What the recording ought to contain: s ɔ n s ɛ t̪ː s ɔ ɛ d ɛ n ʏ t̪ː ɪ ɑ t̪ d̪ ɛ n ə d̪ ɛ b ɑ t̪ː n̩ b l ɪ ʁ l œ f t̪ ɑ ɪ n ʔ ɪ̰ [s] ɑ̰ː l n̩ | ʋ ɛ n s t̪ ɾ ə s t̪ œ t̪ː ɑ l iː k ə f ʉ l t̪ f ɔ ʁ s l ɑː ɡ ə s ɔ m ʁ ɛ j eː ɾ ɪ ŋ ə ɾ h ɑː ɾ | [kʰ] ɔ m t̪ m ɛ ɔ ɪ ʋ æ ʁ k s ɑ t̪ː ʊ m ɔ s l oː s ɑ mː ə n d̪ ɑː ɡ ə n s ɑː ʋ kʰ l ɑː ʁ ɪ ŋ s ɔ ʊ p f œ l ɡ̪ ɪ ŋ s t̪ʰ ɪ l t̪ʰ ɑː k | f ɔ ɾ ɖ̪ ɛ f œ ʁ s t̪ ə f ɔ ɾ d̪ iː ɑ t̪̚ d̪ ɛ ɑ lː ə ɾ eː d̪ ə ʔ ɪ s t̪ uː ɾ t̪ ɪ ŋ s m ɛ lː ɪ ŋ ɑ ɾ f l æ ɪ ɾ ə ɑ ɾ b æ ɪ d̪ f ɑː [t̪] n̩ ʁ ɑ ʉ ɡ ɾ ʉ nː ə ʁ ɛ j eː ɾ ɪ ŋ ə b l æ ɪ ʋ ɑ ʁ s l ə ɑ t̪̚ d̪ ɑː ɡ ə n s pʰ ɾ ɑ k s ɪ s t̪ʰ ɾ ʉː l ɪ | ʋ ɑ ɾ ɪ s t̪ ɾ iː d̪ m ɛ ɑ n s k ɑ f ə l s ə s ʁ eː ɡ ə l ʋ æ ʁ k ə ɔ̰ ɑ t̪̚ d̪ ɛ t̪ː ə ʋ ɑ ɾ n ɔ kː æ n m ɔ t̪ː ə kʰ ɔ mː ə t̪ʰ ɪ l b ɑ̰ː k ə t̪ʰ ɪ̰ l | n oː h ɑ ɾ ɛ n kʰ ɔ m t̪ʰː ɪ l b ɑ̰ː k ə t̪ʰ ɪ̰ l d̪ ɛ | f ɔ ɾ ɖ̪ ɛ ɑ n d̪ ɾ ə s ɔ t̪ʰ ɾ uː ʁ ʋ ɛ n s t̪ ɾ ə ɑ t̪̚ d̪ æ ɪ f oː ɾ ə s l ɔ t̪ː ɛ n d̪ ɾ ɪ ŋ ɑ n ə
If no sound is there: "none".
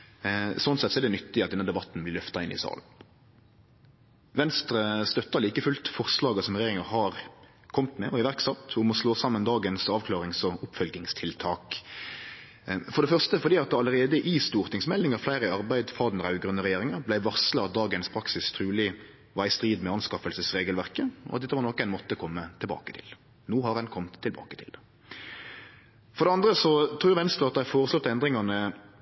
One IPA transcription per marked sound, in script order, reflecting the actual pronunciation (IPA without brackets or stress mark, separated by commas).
s, kʰ, d̪